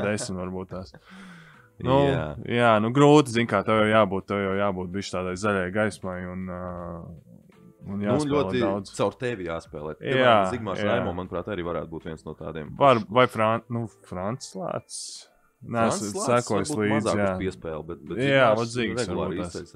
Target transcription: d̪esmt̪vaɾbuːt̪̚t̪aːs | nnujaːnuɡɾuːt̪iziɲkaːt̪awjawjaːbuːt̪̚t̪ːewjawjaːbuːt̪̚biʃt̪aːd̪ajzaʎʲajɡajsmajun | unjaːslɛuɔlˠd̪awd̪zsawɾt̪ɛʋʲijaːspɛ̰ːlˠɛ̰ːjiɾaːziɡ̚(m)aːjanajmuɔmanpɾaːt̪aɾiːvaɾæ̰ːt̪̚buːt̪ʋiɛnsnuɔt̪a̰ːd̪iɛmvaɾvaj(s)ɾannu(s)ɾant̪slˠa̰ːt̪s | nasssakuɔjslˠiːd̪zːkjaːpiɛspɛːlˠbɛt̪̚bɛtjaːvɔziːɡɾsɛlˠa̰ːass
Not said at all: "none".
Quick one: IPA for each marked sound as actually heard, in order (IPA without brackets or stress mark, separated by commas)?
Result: m, f, f